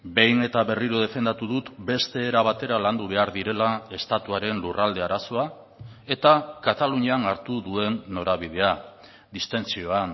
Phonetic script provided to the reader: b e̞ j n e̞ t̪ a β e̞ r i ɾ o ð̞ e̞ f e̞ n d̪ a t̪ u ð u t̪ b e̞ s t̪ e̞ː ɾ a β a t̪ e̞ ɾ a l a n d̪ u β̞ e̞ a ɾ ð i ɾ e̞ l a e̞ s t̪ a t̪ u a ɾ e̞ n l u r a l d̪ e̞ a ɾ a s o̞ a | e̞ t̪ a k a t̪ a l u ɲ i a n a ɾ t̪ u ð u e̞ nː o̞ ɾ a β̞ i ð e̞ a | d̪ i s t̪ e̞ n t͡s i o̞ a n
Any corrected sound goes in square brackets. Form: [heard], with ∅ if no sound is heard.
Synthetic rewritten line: b e̞ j n e̞ t̪ a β e̞ r i ɾ o ð̞ e̞ f e̞ n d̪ a t̪ u ð u t̪ b e̞ s t̪ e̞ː ɾ a β a t̪ e̞ ɾ a l a n d̪ u β̞ e̞ a ɾ ð i ɾ e̞ l a e̞ s t̪ a t̪ u a ɾ e̞ n l u r a l d̪ e̞ a ɾ a s o̞ a | e̞ t̪ a k a t̪ a l u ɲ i a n a ɾ t̪ u ð u e̞ nː o̞ ɾ a β̞ i ð e̞ a | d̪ i s t̪ e̞ n t͡s i o̞ a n